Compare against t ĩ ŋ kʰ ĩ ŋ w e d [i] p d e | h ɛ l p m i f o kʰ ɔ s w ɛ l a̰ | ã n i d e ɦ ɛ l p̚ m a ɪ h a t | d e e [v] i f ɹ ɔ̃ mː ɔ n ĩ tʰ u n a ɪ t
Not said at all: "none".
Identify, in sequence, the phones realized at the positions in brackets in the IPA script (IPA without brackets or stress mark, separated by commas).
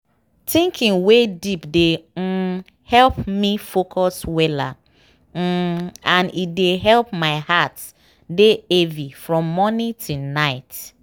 i, v